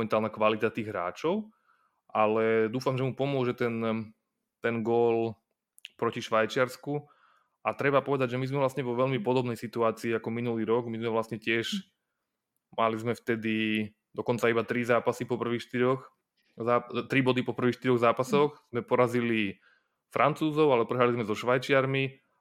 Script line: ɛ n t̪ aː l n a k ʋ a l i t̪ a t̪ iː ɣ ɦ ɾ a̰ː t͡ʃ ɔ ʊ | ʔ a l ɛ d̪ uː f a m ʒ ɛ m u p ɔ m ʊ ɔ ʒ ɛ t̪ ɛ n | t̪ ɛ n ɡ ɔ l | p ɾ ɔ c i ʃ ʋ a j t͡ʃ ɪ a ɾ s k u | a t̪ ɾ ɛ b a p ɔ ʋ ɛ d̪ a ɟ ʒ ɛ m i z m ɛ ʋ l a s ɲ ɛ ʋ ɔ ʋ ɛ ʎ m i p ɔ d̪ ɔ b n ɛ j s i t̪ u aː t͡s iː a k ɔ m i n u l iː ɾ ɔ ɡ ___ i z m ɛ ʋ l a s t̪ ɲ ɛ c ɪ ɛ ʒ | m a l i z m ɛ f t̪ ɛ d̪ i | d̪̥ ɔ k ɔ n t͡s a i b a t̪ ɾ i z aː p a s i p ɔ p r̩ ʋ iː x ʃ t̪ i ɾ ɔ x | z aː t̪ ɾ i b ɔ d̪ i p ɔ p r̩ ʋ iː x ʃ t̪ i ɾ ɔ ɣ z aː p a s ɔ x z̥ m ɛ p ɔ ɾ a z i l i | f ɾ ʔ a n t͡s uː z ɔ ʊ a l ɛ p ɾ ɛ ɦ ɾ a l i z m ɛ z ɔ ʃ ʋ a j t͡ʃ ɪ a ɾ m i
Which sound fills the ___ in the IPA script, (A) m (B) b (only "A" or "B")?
A